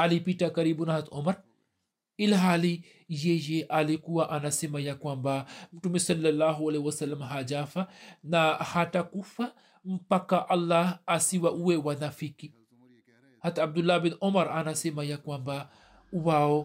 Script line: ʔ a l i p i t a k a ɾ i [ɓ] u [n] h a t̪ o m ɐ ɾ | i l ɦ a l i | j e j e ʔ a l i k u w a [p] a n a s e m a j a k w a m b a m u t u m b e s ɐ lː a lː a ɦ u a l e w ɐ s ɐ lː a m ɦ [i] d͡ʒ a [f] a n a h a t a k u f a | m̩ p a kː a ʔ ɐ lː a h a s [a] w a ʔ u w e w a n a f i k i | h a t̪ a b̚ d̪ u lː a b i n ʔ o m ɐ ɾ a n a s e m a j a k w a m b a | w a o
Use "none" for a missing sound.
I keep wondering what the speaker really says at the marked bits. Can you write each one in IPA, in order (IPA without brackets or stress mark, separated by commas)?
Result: b, n, ʔ, a, f, i